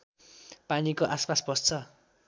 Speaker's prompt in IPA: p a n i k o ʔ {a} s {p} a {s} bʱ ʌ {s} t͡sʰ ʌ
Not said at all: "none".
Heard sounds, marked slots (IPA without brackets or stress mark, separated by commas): a, p, s, s